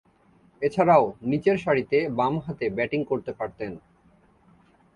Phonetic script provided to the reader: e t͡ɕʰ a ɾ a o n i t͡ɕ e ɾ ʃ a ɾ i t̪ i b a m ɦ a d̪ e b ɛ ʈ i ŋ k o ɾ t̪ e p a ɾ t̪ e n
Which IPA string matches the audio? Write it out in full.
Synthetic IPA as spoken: e t͡ɕʰ a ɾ a o n i t͡ɕ e ɾ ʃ a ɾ i t̪ e b a m ɦ a t̪ e b ɛ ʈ i ŋ k o ɾ t̪ e p a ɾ t̪ e n